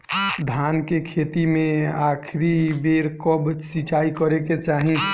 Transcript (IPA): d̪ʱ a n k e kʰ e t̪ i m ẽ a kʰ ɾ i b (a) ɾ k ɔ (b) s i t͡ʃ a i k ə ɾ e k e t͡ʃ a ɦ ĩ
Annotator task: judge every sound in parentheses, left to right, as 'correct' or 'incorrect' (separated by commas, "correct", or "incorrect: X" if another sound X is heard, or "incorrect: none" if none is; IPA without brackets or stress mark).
incorrect: e, correct